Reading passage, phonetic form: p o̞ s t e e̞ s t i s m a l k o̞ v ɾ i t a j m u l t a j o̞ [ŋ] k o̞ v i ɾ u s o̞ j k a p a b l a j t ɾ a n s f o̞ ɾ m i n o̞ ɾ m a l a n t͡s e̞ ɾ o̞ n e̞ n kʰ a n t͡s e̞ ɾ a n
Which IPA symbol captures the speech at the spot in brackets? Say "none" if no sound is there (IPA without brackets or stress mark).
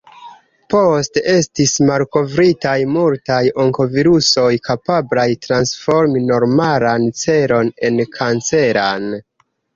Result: ŋ